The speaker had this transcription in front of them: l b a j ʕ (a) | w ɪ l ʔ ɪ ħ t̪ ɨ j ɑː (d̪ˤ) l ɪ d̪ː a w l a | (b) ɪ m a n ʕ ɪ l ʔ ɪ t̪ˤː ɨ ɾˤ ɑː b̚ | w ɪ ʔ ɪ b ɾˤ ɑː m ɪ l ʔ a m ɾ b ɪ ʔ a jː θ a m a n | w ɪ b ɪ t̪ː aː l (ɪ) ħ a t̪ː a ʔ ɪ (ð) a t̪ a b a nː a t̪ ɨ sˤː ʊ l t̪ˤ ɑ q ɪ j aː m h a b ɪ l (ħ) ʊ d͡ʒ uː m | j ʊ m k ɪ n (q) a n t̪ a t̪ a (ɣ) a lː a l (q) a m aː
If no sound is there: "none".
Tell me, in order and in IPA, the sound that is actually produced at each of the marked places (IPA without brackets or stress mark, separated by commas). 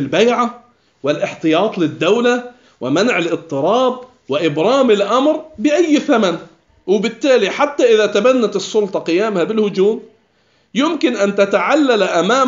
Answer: a, t̪ˤ, w, i, ð, h, ʔ, ʕ, ʔ